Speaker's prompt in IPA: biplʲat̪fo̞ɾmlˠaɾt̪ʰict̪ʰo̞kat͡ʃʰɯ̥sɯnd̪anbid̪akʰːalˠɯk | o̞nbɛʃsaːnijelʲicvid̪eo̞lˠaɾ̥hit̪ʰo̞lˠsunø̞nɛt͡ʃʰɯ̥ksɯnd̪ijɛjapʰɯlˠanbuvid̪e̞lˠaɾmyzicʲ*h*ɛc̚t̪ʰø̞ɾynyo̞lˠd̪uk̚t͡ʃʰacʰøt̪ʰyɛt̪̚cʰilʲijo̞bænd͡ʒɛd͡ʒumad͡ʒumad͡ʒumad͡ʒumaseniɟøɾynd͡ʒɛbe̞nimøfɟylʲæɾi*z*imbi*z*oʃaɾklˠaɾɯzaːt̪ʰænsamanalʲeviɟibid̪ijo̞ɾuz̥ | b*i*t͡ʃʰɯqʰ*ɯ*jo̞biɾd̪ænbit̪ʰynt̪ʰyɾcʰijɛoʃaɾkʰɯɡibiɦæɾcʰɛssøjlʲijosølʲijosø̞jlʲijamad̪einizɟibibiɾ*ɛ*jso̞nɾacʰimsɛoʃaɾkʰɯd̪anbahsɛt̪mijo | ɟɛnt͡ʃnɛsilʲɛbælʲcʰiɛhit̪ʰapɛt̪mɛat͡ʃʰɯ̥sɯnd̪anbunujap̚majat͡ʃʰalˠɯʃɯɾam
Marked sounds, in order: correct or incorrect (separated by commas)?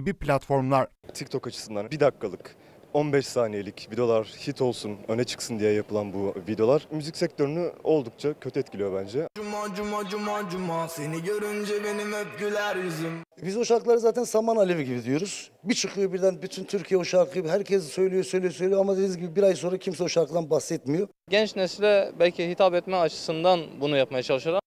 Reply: incorrect, correct, correct, correct, correct, incorrect